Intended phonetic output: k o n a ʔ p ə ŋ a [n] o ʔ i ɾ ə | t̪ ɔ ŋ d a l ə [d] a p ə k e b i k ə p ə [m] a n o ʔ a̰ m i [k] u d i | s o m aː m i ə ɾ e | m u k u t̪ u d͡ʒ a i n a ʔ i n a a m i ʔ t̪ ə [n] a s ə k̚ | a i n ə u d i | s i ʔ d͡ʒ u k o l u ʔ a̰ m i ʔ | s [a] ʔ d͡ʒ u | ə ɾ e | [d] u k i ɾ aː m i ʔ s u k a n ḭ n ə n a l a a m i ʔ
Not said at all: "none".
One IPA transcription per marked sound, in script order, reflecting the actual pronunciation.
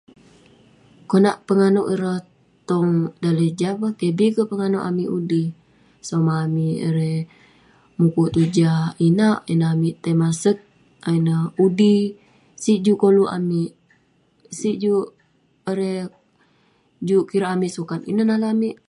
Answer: n, d͡ʒ, ŋ, ʔ, m, i, d͡ʒ

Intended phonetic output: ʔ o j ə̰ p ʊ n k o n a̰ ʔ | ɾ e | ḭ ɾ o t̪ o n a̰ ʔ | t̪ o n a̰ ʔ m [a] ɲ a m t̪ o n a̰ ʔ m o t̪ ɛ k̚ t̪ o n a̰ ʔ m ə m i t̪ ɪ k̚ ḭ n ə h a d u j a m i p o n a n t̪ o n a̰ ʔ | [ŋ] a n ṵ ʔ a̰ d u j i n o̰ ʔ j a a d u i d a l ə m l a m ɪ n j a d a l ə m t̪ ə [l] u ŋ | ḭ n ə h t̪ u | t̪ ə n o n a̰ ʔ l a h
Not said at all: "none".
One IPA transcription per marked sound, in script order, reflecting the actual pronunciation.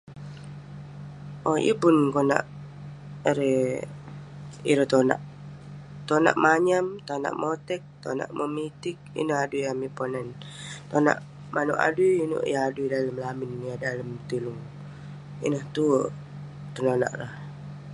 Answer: a, m, l

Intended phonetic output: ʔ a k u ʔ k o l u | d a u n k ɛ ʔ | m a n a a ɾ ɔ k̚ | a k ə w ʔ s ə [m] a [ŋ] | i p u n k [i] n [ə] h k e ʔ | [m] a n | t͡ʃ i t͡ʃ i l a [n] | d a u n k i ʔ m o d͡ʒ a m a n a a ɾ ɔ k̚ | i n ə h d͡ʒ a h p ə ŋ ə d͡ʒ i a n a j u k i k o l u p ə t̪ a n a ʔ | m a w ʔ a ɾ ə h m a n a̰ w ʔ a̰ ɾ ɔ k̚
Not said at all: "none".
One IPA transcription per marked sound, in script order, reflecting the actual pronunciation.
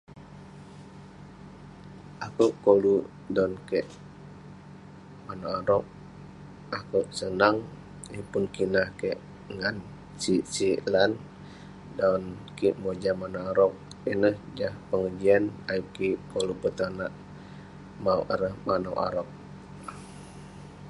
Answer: n, ŋ, i, a, ŋ, n

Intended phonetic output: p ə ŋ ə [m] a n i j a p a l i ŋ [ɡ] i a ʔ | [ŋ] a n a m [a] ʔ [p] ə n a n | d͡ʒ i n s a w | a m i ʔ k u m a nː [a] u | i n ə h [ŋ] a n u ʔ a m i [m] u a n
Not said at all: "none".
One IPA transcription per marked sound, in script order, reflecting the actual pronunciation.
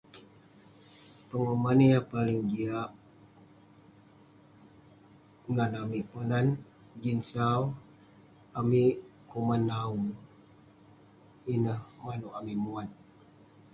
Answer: m, ɡ, ŋ, i, p, a, m, m

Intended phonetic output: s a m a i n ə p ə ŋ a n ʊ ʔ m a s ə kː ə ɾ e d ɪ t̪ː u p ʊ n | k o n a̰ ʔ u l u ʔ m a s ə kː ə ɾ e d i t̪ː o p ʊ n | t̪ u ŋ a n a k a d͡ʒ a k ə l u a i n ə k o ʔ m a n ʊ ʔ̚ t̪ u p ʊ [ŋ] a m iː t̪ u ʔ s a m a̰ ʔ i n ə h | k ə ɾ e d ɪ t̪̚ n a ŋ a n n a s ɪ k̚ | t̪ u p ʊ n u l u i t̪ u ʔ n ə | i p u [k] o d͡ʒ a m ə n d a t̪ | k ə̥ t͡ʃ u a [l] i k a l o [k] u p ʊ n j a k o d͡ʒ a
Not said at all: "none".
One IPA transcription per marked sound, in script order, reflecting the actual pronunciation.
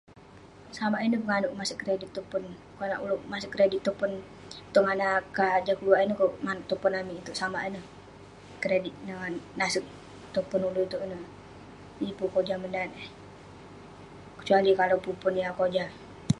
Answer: n, k, l, p

